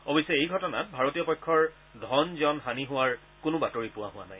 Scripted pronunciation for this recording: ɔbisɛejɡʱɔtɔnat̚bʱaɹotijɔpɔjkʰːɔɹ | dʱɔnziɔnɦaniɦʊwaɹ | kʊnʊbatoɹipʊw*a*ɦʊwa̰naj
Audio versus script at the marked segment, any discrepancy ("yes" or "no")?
no